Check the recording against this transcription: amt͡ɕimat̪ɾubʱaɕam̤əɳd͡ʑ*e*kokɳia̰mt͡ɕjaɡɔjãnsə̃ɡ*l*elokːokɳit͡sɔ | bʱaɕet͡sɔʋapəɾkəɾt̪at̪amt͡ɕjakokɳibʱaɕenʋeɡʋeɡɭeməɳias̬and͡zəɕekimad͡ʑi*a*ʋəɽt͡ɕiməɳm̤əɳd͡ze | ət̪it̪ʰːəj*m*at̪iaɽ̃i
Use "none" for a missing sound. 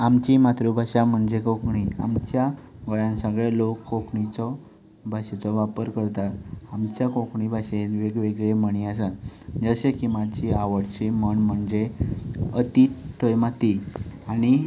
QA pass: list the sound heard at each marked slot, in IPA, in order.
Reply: e, ɭ, a, m

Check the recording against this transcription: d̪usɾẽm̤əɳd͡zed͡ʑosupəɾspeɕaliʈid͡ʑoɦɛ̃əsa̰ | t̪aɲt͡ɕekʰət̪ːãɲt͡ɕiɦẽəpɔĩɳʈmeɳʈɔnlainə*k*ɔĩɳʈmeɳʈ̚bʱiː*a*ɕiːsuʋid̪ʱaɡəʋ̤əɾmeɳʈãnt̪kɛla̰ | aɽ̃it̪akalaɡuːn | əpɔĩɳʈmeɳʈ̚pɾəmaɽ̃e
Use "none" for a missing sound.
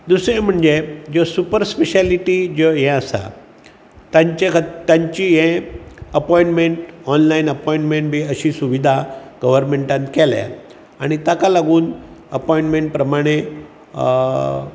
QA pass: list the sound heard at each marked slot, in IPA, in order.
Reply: p, ə

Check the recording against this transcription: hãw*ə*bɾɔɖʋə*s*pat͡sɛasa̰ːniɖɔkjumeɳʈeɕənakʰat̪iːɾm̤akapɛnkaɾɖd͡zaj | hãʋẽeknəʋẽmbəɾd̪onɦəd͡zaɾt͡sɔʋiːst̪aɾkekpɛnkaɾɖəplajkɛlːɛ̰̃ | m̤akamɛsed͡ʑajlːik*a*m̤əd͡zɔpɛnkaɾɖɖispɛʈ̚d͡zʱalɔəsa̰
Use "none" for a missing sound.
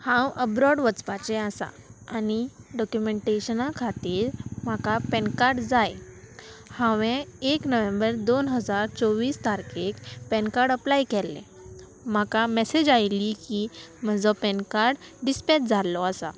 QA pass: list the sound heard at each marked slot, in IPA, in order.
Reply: ə, t͡s, i

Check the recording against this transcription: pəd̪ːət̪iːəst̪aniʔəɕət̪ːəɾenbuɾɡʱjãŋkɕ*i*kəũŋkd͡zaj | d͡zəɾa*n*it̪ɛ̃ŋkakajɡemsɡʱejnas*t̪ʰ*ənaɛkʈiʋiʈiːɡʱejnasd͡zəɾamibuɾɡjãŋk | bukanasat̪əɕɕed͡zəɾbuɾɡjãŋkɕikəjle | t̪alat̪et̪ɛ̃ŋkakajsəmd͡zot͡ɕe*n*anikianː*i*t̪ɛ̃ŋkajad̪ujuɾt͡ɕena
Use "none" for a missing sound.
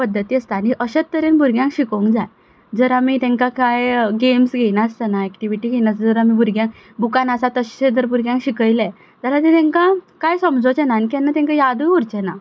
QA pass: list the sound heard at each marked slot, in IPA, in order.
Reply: i, m, t̪, n, a

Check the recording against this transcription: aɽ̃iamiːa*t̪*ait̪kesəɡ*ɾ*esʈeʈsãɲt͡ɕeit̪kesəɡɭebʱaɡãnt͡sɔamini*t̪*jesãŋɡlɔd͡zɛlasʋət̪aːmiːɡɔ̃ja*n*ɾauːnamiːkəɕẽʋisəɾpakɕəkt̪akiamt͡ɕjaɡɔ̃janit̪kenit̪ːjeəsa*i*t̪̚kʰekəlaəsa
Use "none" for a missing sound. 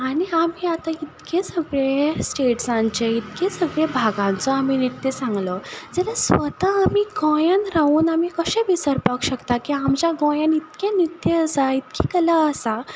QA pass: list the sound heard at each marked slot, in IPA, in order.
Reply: t̪, ɭ, t̪, n, i

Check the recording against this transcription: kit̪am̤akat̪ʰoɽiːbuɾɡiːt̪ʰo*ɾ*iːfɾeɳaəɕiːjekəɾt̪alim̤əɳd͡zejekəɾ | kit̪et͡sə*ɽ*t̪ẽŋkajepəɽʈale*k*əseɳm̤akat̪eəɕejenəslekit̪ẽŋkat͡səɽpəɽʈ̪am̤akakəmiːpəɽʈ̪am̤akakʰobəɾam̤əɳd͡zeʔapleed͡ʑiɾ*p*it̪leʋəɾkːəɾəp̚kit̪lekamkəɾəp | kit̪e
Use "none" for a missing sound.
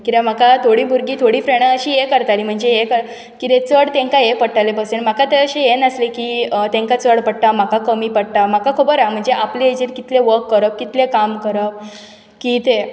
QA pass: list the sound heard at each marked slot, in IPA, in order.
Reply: ɽ, ɽ, p, k

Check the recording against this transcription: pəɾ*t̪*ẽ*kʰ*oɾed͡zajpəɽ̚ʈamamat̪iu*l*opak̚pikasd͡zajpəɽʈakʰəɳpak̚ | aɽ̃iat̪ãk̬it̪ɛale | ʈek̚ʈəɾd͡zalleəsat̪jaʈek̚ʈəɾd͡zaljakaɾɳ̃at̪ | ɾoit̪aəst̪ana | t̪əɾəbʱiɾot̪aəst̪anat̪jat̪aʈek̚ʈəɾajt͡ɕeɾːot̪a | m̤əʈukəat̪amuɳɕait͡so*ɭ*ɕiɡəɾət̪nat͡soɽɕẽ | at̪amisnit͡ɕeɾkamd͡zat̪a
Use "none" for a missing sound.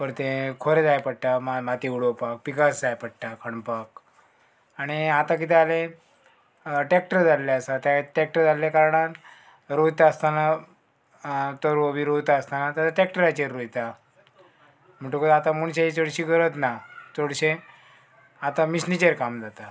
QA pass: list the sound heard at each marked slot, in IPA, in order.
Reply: t̪, kʰ, ɽ, ɽ

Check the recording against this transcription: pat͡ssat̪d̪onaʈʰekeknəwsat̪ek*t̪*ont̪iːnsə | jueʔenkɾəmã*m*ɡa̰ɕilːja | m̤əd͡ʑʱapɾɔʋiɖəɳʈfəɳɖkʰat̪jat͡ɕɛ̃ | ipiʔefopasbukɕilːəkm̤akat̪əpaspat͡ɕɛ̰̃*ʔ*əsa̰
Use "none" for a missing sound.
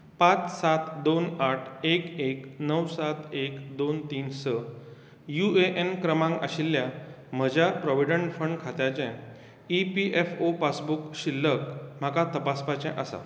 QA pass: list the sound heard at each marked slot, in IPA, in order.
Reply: d̪, ŋ, ʔ

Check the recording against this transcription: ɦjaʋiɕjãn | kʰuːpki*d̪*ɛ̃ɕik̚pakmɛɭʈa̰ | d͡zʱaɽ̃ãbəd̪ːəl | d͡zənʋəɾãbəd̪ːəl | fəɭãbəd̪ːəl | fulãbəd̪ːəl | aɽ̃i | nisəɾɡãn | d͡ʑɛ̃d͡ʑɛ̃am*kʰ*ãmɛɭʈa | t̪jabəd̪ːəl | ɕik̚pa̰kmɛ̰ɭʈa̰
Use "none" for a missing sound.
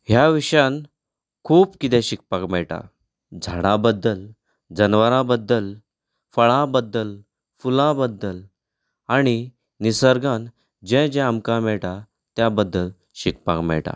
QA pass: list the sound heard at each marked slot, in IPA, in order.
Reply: t̪, k

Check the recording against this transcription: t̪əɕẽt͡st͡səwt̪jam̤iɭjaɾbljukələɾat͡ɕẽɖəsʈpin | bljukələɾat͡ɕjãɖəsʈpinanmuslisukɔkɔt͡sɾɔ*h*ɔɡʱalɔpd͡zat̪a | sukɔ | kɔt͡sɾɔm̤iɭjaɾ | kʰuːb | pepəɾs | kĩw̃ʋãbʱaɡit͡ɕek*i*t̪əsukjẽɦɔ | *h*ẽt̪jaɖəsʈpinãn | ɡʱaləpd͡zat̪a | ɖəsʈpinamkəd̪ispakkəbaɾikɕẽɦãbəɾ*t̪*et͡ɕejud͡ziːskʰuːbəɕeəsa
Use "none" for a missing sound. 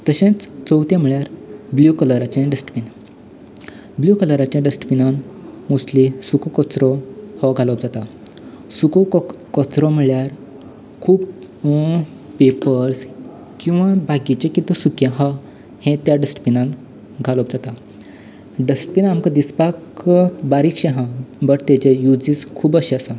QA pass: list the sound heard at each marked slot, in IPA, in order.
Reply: h, i, h, t̪

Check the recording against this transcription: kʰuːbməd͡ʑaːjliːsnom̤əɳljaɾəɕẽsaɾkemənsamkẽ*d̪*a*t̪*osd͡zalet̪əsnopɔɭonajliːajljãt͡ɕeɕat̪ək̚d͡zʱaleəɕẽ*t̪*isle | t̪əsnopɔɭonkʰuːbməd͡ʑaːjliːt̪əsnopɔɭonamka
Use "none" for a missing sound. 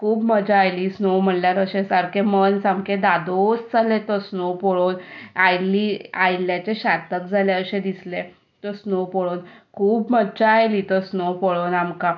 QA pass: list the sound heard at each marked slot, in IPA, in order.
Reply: d̪, d̪, d̪

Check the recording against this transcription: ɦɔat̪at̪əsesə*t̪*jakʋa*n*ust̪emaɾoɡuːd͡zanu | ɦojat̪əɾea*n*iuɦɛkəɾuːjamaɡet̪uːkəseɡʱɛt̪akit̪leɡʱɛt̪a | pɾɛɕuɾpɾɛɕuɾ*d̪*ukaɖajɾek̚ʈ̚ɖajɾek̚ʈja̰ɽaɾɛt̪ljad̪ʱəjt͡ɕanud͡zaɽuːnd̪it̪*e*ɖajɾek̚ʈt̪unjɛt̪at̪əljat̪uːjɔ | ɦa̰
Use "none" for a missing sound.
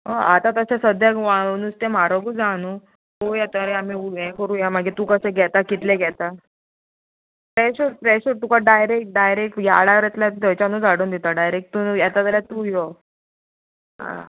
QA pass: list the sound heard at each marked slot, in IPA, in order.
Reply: d̪, n, m, t̪, a

